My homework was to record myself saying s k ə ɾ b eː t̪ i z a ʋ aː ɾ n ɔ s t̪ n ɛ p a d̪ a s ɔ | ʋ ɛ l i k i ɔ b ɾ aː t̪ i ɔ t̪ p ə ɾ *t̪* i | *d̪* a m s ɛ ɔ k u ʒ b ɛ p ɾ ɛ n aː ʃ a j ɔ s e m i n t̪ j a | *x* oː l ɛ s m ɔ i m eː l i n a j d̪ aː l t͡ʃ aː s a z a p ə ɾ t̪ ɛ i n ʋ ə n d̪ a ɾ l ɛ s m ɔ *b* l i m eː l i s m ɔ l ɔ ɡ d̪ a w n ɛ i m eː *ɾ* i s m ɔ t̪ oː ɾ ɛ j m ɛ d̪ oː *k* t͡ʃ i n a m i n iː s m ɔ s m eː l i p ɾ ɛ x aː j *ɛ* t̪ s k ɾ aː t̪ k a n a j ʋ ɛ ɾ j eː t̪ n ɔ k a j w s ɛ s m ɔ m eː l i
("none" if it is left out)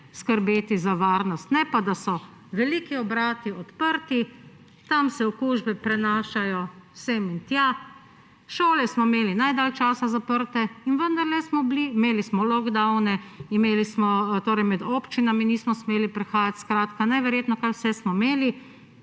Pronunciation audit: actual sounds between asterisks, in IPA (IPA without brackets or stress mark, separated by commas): t̪, t̪, ʃ, b, l, p, a